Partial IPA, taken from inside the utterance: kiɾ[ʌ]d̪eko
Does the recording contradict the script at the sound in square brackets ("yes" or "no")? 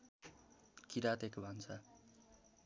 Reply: yes